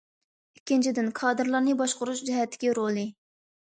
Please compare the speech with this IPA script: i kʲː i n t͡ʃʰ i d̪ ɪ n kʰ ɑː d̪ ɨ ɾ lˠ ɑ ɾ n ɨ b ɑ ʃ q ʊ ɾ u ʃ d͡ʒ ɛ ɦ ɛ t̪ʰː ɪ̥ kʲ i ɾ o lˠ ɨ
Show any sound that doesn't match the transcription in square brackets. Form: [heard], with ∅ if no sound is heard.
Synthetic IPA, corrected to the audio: i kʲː i n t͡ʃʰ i d̪ ɪ n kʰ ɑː d̪ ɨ ɾ lˠ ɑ ɾ n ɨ b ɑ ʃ q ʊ ɾ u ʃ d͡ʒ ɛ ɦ ɛ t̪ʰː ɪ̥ kʲ i ɾ o lˠ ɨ

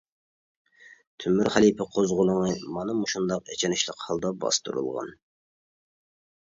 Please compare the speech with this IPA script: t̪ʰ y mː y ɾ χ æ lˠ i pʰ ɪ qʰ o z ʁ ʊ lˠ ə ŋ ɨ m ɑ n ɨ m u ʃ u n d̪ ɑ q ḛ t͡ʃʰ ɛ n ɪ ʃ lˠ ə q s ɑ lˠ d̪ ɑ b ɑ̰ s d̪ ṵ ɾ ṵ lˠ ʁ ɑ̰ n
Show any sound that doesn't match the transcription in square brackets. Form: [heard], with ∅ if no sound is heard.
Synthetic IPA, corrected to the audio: t̪ʰ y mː y ɾ χ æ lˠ i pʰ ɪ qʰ o z ʁ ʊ lˠ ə ŋ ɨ m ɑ n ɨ m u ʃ u n d̪ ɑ q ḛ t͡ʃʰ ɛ n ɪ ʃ lˠ ə q [h] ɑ lˠ d̪ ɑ b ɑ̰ s [t̪] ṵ ɾ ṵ lˠ ʁ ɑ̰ n

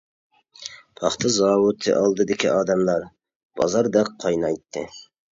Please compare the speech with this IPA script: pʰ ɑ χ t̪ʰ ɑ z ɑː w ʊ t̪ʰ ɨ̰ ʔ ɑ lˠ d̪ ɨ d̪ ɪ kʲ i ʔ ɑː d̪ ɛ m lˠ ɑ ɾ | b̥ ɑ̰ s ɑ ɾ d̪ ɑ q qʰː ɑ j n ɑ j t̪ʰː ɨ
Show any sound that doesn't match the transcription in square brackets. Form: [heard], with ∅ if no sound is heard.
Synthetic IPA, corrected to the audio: pʰ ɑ χ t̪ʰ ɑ z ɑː w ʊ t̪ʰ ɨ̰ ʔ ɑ lˠ d̪ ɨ d̪ ɪ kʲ i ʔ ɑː d̪ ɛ m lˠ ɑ ɾ | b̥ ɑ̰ [z] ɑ ɾ d̪ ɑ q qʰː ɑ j n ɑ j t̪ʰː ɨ

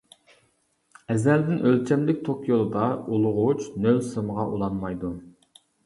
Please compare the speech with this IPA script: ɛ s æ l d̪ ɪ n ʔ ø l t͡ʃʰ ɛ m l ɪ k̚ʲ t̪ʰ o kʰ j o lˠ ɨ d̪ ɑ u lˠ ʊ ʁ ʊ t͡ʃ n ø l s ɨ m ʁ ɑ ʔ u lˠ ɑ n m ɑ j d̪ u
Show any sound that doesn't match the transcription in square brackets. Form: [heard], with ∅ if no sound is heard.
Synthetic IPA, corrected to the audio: ɛ [z] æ l d̪ ɪ n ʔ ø l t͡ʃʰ ɛ m l ɪ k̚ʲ t̪ʰ o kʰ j o lˠ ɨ d̪ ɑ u lˠ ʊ ʁ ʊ t͡ʃ n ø l s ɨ m ʁ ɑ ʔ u lˠ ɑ n m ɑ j d̪ u

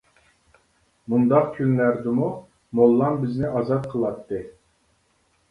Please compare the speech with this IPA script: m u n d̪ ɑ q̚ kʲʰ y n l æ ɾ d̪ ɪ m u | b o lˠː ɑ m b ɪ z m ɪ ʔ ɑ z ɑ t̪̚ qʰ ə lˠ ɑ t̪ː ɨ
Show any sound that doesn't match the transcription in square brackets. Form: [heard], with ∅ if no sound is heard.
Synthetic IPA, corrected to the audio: m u n d̪ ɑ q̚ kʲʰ y n l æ ɾ d̪ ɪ m u | [m] o lˠː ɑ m b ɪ z [n] ɪ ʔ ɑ z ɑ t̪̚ qʰ ə lˠ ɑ t̪ː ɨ

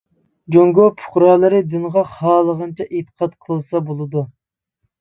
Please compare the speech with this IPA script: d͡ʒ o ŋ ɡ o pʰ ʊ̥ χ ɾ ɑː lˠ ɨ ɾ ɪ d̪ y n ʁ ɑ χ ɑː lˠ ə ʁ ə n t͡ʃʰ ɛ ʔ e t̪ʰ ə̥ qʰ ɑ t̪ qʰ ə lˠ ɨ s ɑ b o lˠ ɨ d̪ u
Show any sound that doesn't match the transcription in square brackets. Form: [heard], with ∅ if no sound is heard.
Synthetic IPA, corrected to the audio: d͡ʒ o ŋ ɡ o pʰ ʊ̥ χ ɾ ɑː lˠ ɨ ɾ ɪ d̪ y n ʁ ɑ χ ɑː lˠ ə ʁ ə n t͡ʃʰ ɛ ʔ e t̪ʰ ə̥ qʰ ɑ t̪ qʰ ə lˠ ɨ s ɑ b o lˠ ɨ d̪ u

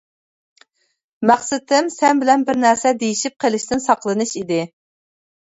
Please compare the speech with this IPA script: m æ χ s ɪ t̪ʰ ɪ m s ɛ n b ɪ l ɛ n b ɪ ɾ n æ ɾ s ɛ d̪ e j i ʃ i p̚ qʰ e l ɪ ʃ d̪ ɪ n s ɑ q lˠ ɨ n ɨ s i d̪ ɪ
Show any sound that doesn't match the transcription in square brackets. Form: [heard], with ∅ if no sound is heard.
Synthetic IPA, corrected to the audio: m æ χ s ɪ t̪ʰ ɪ m s ɛ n b ɪ l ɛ n b ɪ ɾ n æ ɾ s ɛ d̪ e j i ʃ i p̚ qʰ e l ɪ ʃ [t̪] ɪ n s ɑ q lˠ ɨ n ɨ [ʃ] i d̪ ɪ

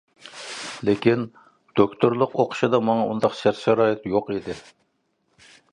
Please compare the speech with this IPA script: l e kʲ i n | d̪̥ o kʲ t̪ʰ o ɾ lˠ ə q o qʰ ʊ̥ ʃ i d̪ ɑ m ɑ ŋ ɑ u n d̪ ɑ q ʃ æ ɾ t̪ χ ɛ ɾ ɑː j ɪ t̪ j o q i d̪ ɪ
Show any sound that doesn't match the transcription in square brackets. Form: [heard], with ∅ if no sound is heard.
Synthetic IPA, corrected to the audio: l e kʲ i n | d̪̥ o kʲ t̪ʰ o ɾ lˠ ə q o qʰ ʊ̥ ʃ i d̪ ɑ m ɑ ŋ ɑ u n d̪ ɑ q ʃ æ ɾ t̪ [ʃ] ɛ ɾ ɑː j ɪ t̪ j o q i d̪ ɪ

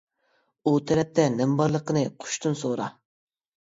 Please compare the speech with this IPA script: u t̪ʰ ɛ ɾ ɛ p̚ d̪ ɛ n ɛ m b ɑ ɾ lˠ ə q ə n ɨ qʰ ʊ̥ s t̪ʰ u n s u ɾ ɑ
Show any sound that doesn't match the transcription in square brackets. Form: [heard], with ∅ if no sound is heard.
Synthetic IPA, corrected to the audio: u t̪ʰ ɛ ɾ ɛ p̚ [t̪] ɛ n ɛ m b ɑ ɾ lˠ ə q ə n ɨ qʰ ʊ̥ [ʃ] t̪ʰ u n s [o] ɾ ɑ

